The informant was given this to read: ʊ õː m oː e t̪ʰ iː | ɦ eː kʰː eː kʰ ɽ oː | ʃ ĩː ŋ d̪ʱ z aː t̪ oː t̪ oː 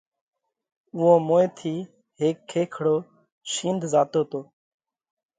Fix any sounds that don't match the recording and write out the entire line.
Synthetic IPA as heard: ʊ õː m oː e t̪ʰ iː | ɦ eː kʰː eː kʰ ɽ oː | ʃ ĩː n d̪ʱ z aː t̪ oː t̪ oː